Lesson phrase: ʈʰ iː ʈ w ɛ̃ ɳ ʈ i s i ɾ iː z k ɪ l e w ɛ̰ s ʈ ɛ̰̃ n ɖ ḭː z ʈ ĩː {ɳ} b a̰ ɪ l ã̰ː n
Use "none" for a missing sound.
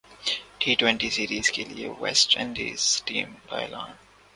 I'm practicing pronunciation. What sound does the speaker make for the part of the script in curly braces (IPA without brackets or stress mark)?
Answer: m